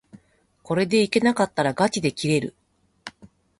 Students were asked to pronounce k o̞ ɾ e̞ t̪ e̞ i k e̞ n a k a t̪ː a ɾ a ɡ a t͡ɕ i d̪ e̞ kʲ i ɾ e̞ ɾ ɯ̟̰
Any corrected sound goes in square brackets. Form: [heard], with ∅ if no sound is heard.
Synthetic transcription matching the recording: k o̞ ɾ e̞ [d̪] e̞ i k e̞ n a k a t̪ː a ɾ a ɡ a t͡ɕ i d̪ e̞ kʲ i ɾ e̞ ɾ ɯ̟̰